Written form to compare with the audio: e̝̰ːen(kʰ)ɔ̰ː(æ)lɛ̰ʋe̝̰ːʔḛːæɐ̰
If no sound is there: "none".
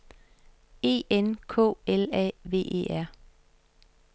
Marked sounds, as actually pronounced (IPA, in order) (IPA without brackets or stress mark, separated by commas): kʰ, e